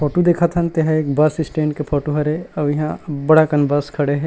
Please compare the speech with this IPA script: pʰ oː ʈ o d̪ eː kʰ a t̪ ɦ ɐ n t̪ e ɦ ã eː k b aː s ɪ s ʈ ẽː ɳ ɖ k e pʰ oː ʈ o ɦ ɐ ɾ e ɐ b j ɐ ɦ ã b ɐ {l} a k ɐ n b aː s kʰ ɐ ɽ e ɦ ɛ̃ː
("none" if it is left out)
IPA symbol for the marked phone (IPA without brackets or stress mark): ɽ